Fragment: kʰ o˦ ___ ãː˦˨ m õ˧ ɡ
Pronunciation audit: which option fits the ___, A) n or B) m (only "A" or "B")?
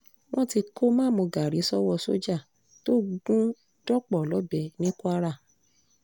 B